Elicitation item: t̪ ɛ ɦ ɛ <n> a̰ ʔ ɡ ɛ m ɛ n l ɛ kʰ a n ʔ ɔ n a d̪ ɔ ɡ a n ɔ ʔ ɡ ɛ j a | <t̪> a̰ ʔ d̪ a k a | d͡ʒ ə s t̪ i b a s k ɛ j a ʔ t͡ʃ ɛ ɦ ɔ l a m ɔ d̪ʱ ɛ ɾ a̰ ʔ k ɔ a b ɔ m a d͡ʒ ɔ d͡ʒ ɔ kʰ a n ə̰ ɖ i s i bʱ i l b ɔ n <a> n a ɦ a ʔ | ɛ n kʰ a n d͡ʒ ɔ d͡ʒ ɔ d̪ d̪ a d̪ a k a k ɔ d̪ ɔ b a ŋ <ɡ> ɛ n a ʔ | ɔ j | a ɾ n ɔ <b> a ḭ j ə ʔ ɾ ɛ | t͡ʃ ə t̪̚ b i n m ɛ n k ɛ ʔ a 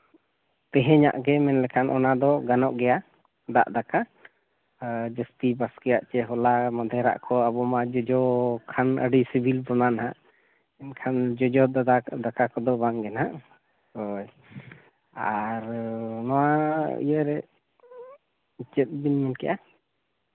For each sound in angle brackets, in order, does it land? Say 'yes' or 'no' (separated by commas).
no, no, yes, yes, no